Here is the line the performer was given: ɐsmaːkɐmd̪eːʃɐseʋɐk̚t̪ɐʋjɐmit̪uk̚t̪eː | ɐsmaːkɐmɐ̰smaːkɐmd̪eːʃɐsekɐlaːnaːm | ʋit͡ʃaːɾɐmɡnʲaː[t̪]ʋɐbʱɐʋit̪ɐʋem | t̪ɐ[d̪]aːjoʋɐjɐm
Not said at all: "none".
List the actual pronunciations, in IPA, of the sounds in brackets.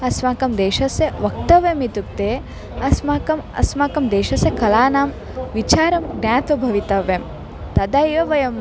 t̪, d̪

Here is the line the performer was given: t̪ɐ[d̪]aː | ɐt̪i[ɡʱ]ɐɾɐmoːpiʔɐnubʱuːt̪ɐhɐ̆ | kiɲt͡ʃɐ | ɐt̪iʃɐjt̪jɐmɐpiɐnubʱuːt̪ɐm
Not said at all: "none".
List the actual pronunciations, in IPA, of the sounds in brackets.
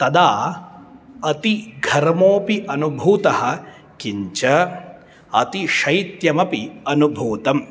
d̪, ɡʱ

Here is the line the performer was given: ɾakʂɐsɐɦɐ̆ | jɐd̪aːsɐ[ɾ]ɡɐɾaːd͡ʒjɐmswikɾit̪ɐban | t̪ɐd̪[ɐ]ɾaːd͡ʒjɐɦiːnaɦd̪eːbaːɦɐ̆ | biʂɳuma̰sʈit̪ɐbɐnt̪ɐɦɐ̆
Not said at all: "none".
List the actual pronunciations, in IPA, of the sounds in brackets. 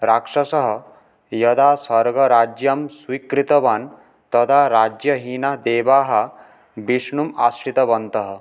ɾ, a

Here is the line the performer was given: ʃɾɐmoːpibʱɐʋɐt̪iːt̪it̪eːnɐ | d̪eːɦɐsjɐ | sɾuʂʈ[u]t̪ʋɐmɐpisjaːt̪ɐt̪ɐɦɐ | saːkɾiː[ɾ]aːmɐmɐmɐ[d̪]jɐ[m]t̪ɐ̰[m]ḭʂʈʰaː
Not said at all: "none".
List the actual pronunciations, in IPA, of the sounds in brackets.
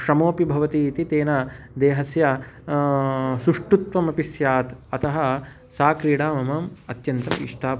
u, ɽ, t̪, n, m

